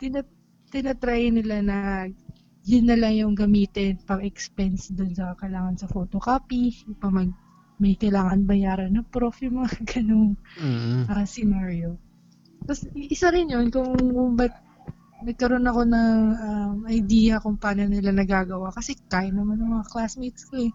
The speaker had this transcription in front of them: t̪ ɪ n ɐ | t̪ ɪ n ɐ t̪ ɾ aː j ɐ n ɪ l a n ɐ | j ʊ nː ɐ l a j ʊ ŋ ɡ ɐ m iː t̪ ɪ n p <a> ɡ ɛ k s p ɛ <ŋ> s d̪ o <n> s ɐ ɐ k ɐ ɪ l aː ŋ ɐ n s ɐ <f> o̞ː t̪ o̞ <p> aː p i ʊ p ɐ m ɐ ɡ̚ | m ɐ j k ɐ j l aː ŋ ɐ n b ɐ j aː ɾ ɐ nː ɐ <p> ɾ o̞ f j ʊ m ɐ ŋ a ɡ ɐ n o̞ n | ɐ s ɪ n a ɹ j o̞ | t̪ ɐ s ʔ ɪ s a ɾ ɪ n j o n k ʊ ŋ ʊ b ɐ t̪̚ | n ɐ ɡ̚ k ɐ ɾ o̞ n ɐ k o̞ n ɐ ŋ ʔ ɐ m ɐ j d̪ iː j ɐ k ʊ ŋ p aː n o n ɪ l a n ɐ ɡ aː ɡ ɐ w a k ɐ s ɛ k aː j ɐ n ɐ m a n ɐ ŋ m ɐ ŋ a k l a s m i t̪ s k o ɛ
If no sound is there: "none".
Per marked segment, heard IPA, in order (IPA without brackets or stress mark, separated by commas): ɐ, n, n, f, k, p